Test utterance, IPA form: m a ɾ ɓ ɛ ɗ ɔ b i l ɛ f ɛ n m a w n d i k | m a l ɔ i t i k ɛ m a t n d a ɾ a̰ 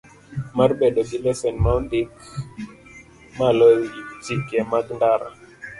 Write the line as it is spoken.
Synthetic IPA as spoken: m a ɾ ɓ ɛ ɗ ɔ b i l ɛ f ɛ n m a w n d i k | m a l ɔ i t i k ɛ m a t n d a ɾ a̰